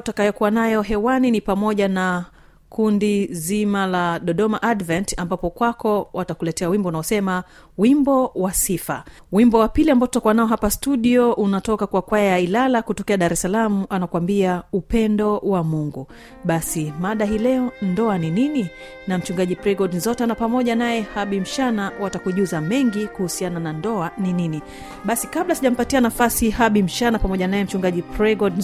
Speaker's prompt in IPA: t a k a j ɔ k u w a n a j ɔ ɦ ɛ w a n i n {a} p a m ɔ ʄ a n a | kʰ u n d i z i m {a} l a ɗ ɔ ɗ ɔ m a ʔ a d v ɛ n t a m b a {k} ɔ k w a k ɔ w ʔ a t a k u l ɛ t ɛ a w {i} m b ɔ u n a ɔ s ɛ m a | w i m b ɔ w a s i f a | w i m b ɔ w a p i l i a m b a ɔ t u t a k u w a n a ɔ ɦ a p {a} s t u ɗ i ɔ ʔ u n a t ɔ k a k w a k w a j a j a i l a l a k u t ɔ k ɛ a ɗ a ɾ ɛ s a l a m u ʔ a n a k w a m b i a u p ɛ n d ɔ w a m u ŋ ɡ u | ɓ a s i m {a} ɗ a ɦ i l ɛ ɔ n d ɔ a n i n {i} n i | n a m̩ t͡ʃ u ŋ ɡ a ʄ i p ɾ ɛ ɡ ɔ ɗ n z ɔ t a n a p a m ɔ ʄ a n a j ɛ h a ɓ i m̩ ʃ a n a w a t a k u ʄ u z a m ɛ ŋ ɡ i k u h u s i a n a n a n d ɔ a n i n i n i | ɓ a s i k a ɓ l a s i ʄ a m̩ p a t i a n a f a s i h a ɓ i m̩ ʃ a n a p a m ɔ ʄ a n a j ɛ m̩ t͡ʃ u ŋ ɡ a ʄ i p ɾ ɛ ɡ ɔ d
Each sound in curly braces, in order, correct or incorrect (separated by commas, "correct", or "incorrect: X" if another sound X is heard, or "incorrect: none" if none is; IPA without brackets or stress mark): incorrect: i, correct, incorrect: p, correct, correct, correct, correct